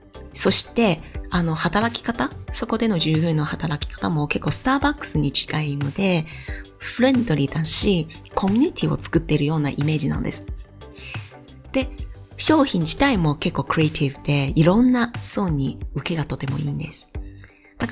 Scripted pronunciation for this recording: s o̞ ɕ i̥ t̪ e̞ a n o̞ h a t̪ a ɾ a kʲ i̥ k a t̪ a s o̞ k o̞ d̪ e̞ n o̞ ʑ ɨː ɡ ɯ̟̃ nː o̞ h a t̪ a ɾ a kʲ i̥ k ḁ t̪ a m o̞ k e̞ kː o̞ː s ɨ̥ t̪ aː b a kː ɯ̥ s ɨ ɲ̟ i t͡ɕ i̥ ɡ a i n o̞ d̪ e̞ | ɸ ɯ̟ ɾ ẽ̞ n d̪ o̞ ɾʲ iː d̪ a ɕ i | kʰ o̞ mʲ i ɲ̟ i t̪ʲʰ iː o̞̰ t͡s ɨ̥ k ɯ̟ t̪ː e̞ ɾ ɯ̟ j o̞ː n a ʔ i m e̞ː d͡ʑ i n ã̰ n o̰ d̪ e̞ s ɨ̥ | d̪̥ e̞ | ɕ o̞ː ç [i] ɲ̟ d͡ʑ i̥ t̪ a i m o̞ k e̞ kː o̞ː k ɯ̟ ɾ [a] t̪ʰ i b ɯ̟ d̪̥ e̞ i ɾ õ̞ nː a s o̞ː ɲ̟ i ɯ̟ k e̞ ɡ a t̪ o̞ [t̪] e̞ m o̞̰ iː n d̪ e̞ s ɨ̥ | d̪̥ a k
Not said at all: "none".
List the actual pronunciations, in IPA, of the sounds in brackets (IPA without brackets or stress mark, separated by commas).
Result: ĩ, e, t̪